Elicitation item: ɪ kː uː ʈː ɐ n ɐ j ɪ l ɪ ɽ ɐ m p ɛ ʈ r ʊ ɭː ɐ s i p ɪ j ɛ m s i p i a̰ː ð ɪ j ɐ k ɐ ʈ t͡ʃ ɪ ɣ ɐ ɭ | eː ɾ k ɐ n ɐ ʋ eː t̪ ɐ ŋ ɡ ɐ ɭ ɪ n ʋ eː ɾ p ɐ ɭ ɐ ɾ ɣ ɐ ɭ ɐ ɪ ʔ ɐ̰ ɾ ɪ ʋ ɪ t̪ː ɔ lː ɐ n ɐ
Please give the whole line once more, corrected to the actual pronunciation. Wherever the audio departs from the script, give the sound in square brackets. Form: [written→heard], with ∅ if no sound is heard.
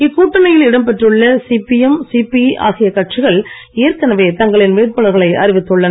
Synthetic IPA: ɪ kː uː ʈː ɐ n ɐ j ɪ l ɪ ɽ ɐ m p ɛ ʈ r [ʊ→ɯ] ɭː ɐ s i p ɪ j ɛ m s i p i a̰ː [ð→ɣ] ɪ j ɐ k ɐ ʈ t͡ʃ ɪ ɣ ɐ ɭ | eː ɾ k ɐ n ɐ ʋ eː t̪ ɐ ŋ ɡ ɐ ɭ ɪ n ʋ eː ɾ p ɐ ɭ ɐ ɾ ɣ ɐ ɭ ɐ ɪ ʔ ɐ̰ ɾ ɪ ʋ ɪ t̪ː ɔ [lː→ɭː] ɐ n ɐ